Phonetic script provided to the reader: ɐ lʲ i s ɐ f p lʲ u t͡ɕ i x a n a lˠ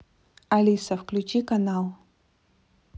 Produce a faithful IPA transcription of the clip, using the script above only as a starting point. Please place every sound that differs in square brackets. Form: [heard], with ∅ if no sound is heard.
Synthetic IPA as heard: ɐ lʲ i s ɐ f [k] lʲ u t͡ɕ i [k] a n a lˠ